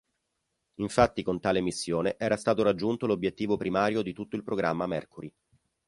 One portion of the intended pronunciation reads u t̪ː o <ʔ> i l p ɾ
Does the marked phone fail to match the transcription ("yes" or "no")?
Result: yes